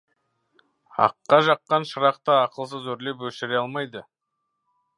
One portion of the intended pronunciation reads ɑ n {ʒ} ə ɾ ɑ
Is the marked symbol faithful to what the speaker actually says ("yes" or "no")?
no